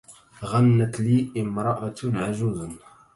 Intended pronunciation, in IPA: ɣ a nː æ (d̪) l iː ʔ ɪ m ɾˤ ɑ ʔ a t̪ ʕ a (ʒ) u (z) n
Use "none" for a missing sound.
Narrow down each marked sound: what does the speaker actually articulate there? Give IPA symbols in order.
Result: t̪, ʒ, z

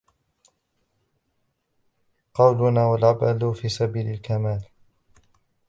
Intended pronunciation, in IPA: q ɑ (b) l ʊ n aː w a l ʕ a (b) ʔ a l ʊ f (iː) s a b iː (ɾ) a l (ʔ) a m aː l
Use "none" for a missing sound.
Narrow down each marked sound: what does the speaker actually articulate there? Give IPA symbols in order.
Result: w, b, iː, l, k

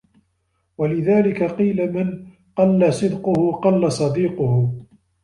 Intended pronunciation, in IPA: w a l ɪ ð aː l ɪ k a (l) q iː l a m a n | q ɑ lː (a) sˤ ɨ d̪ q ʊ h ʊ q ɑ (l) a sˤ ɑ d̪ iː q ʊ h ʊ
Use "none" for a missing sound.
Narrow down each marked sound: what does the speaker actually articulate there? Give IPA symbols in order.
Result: none, a, lː

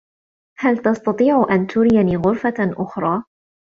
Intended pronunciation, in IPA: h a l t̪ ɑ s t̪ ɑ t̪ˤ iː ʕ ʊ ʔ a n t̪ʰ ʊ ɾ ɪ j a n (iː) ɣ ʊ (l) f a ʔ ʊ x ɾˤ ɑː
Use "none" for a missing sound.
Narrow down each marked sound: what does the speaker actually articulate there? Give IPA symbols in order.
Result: iː, ɾ

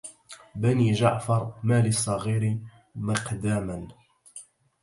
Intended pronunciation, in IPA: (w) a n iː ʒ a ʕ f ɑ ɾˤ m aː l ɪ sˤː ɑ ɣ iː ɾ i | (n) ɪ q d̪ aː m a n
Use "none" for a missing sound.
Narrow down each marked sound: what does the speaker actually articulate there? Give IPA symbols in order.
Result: b, m

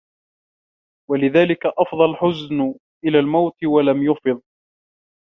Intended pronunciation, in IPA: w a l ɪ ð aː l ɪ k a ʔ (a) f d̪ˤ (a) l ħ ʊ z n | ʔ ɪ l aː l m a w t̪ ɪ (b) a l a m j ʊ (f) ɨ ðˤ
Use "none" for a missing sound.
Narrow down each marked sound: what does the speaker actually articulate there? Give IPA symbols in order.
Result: ɑ, ɑ, w, f

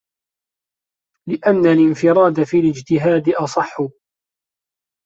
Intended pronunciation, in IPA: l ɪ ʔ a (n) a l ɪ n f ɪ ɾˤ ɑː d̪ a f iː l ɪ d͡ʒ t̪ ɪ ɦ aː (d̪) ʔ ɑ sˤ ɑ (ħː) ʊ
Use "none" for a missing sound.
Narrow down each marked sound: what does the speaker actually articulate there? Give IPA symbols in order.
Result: nː, d̪, ħː

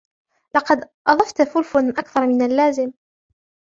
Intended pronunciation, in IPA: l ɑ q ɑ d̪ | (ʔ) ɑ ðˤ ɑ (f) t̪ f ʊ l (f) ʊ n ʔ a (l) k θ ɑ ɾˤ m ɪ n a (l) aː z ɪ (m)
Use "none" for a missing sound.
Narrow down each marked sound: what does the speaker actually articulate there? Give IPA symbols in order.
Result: ʔ, f, f, none, lː, m

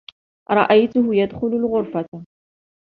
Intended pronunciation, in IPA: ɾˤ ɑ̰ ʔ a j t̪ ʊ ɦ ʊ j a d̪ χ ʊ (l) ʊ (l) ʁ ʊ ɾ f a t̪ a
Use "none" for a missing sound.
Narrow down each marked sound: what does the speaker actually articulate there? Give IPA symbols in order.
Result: l, l

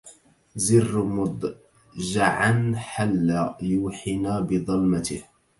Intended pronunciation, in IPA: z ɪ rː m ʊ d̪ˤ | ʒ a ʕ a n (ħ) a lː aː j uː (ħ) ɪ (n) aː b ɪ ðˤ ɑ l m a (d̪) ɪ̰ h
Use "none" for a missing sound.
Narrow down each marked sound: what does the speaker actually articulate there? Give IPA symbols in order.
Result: ħ, ħ, n, t̪

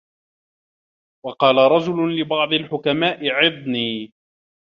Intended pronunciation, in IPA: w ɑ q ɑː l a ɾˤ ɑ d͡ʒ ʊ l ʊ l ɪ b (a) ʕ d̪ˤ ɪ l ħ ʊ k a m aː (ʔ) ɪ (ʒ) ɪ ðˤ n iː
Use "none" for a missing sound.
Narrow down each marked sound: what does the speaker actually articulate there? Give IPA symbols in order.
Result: ɑ, ʔ, ʕ

